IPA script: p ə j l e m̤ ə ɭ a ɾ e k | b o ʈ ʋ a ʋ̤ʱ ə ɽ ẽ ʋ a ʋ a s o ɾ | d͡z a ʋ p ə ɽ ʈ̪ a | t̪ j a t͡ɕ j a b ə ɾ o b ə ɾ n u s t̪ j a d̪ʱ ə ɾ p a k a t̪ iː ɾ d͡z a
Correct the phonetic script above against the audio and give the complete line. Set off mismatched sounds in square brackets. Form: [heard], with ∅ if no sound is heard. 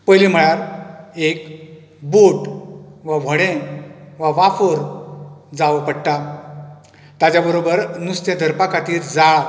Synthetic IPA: p ə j l [i] m̤ ə ɭ a ɾ e k | b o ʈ ʋ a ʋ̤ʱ ə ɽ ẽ ʋ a ʋ a [f] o ɾ | d͡z a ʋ p ə ɽ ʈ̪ a | t̪ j a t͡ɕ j a b ə ɾ o b ə ɾ n u s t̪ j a d̪ʱ ə ɾ p a k a t̪ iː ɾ d͡z a